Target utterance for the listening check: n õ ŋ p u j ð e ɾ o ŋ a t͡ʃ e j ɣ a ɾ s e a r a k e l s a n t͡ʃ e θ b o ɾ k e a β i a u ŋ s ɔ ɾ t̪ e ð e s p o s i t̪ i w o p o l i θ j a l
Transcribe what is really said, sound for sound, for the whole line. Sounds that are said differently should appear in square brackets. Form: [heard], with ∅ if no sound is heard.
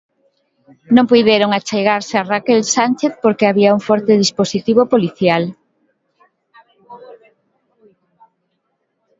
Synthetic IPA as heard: n õ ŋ p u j ð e ɾ o ŋ a t͡ʃ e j ɣ a ɾ s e a r a k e l s a n t͡ʃ e θ [p] o ɾ k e a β i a u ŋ [f] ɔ ɾ t̪ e ð [i] s p o s i t̪ i [β] o p o l i θ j a l